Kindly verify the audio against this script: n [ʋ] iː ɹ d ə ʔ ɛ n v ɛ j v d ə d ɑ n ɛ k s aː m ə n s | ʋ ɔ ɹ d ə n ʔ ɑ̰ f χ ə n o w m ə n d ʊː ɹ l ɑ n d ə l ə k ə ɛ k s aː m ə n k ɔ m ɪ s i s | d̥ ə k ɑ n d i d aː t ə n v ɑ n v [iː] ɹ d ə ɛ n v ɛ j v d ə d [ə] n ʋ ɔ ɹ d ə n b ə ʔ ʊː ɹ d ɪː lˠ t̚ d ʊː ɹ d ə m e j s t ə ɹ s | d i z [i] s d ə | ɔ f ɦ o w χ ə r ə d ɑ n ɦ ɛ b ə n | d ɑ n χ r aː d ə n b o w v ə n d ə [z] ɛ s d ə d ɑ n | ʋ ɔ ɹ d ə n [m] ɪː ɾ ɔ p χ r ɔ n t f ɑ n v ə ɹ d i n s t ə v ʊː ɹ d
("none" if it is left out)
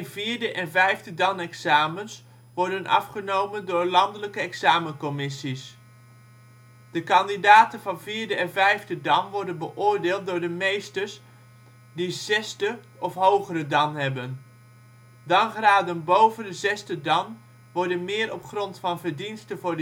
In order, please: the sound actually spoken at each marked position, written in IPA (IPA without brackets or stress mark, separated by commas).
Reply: v, iː, ɑ, ɛ, z, m